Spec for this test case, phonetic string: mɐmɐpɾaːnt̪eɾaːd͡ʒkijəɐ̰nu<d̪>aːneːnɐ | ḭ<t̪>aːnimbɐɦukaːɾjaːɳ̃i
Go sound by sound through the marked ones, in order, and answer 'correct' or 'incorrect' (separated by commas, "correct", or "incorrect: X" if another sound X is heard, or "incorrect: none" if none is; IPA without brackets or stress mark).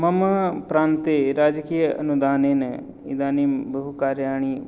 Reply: correct, incorrect: d̪